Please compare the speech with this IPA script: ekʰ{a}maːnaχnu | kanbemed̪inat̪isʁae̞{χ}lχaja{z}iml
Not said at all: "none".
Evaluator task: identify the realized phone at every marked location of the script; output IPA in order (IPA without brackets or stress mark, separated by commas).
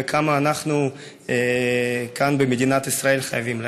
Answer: a, none, v